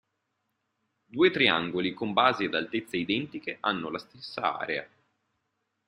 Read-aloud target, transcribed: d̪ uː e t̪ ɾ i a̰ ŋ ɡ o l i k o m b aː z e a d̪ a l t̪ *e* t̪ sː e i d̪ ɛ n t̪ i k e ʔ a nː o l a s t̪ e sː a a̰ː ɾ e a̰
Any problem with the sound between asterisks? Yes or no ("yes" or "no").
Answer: no